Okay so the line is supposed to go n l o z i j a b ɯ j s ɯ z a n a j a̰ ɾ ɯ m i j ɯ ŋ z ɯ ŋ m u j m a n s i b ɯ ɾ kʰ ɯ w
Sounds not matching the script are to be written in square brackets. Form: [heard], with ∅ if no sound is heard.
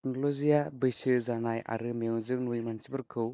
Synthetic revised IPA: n l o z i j a b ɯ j s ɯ z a n a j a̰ ɾ ɯ m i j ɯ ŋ z ɯ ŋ [n] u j m a n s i b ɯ ɾ kʰ ɯ w

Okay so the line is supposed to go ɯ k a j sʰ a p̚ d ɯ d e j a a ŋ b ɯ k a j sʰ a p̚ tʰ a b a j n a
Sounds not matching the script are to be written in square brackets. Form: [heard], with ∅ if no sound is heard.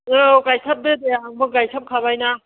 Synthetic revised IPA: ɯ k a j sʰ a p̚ d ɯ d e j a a ŋ b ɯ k a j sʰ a p̚ [kʰ] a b a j n a

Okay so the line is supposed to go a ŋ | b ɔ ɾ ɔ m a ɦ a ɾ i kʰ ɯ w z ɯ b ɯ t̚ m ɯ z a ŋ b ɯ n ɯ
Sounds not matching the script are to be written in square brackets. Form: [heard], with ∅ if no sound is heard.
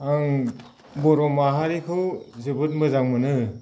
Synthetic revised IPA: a ŋ | b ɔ ɾ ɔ m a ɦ a ɾ i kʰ ɯ w z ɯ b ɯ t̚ m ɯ z a ŋ [m] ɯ n ɯ

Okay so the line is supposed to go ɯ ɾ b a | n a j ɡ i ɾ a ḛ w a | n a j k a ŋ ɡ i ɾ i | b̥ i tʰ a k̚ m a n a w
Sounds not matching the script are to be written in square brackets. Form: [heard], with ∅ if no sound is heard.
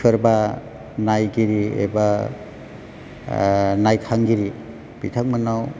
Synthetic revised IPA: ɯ ɾ b a | n a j ɡ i ɾ [i] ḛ [b] a | n a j [kʰ] a ŋ ɡ i ɾ i | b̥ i tʰ a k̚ m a n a w

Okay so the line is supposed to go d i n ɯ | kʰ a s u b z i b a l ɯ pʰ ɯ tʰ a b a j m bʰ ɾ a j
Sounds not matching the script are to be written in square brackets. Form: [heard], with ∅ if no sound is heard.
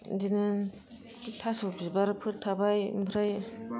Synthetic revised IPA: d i n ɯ | [tʰ] a s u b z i b a [ɾ] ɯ pʰ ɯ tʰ a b a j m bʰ ɾ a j

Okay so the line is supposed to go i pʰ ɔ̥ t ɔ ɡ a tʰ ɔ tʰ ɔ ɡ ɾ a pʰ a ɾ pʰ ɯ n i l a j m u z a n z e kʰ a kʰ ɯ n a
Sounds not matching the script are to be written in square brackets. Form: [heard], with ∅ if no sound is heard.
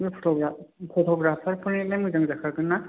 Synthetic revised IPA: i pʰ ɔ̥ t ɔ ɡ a [pʰ] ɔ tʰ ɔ ɡ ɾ a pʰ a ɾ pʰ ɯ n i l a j m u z a [ŋ] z [a] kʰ a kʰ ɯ n a

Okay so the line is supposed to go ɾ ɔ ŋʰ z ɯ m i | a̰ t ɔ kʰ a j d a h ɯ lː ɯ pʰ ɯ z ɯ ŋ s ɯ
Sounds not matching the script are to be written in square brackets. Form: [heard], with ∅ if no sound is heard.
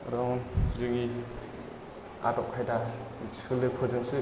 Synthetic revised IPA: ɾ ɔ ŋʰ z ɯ [ŋ] i | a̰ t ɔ kʰ a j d a [s] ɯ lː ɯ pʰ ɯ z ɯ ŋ s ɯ

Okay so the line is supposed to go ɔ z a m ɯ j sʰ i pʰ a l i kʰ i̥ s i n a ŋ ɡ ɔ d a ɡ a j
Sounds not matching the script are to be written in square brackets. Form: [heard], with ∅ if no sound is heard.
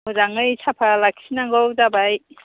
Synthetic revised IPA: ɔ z a [ŋ] ɯ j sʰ [a] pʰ a l [a] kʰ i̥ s i n a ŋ ɡ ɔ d a [b] a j

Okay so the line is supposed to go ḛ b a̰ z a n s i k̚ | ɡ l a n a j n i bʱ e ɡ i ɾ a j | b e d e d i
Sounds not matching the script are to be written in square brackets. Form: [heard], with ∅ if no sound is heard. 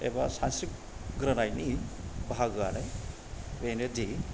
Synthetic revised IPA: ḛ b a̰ [s] a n s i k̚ | ɡ [ɾ] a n a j n i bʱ [a] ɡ [a] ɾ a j | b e [n] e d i

